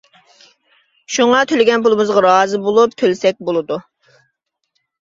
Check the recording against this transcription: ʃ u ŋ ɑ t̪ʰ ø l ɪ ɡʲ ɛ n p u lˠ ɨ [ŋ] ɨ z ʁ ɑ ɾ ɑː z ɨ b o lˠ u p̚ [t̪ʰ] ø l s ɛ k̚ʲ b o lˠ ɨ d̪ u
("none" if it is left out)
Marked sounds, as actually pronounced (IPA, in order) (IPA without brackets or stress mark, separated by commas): m, t̪ʰ